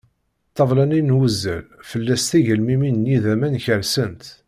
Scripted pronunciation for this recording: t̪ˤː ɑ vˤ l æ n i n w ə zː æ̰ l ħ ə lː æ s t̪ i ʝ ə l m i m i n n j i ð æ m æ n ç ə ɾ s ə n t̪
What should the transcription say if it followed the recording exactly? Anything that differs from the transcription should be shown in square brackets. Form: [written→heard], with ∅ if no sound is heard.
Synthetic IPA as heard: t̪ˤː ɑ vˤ l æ n i n w ə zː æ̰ l [ħ→f] ə lː æ s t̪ i ʝ ə l m i m i n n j i ð æ m æ n ç ə ɾ s ə n t̪